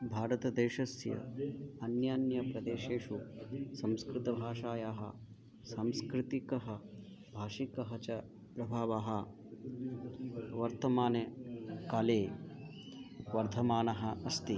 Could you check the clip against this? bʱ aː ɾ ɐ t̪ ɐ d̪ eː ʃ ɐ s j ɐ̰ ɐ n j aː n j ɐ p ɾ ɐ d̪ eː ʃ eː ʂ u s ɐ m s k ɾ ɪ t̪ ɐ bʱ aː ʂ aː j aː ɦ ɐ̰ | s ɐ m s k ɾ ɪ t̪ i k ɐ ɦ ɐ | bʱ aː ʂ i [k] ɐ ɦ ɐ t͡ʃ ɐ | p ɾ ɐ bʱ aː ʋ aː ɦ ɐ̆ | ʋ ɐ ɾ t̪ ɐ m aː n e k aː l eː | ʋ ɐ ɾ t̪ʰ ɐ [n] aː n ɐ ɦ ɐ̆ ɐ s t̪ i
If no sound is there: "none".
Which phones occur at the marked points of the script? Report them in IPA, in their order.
k, m

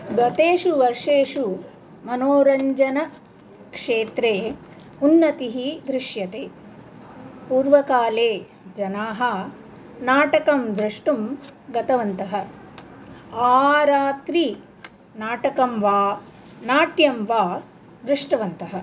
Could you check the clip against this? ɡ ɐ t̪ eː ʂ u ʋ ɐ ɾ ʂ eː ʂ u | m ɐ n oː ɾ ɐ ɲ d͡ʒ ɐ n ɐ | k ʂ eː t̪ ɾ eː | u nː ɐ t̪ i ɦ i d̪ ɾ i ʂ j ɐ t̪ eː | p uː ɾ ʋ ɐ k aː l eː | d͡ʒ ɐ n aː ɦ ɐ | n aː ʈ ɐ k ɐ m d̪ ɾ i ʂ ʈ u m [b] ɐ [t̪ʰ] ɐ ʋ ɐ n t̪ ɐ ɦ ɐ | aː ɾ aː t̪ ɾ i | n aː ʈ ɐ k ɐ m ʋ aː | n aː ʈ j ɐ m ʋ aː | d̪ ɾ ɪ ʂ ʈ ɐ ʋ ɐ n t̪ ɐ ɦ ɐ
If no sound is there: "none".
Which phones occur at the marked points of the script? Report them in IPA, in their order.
ɡ, t̪

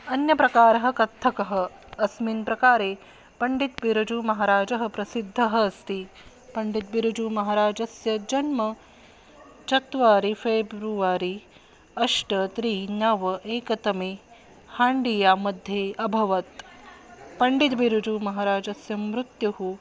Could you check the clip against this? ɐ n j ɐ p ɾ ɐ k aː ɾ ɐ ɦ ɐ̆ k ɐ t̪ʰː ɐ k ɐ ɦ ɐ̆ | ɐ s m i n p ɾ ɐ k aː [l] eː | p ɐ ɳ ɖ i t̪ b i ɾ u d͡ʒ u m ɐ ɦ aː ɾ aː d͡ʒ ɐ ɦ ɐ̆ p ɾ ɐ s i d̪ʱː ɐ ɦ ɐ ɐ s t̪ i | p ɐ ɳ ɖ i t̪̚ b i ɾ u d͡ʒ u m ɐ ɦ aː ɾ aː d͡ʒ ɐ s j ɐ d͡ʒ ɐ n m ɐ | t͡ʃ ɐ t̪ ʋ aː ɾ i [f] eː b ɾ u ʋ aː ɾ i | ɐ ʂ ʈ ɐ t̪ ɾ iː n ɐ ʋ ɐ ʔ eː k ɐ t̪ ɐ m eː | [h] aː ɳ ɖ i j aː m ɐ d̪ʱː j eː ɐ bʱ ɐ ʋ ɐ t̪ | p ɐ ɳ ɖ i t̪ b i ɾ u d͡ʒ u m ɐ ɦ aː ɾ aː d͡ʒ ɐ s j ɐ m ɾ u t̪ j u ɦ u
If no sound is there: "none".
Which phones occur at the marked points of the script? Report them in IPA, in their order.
ɾ, f, h

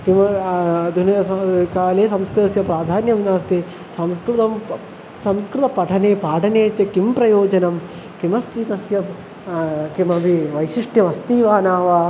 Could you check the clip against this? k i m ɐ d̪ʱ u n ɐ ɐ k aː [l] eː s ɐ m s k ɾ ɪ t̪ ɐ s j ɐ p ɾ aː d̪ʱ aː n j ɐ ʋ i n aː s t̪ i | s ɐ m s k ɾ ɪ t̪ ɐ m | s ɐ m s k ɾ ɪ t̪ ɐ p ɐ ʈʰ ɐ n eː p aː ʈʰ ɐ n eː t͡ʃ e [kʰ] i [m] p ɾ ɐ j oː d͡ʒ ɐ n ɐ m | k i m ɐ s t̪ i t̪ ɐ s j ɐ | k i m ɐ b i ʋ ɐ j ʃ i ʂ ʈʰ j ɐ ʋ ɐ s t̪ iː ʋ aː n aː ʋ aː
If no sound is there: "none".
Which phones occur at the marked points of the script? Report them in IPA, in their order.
l, k, m

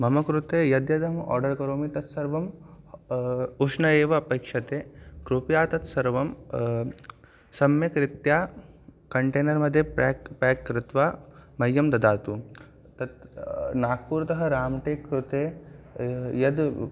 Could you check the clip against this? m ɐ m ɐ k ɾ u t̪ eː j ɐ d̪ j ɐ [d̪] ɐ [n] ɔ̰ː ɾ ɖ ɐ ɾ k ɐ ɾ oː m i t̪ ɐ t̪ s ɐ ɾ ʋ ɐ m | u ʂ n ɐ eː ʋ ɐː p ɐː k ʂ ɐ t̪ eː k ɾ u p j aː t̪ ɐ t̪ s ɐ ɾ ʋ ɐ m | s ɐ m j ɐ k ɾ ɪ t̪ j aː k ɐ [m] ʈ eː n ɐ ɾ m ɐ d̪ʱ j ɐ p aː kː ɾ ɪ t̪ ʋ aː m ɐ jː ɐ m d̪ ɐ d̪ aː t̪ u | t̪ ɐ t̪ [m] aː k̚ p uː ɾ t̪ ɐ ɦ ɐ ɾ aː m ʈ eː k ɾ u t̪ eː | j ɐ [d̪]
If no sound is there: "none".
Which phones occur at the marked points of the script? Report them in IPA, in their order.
d̪, m, ɳ, n, d̪

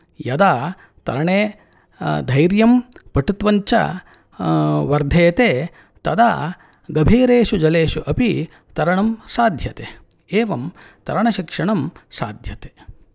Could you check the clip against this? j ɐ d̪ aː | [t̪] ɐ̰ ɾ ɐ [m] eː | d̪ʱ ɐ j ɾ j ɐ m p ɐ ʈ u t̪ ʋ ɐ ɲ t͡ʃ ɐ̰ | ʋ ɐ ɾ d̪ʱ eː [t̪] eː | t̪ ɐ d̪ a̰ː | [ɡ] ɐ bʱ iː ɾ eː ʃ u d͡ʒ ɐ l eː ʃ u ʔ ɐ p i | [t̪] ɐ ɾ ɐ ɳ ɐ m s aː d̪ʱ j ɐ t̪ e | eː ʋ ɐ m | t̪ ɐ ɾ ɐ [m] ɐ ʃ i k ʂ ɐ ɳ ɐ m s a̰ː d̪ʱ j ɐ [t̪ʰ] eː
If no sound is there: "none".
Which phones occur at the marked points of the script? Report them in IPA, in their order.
t̪, ɳ, t̪, ɡ, t̪, ɳ, t̪

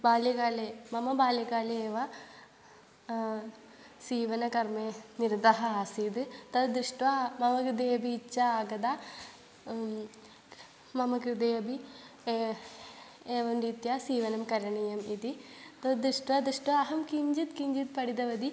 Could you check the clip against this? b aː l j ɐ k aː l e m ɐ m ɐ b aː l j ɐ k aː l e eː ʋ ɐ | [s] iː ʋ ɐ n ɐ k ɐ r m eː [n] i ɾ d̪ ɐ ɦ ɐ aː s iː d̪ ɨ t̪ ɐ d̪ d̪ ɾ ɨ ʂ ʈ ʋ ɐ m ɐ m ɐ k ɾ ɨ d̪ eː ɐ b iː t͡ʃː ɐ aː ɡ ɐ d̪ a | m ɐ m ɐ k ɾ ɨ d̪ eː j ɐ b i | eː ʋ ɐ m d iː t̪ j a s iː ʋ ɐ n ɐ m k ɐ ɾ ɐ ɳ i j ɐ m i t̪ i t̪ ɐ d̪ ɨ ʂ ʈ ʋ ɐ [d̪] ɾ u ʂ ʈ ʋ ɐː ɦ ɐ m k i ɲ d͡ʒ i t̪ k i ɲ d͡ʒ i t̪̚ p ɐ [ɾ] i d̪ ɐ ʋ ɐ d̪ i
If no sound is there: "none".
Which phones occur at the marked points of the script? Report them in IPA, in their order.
s, n, d̪, ɽ

